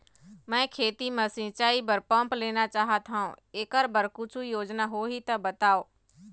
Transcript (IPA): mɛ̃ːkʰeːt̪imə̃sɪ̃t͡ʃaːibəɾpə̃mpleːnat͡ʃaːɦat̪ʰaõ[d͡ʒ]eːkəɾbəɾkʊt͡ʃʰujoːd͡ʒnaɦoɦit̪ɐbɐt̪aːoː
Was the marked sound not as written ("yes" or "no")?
yes